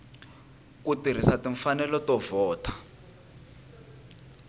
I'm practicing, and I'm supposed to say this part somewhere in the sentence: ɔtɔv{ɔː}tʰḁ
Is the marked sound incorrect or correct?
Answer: correct